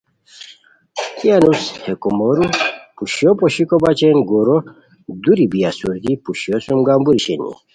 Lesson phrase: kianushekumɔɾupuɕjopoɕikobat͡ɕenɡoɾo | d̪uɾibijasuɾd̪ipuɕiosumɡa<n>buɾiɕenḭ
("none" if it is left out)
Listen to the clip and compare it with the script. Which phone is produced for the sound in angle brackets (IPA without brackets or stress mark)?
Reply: m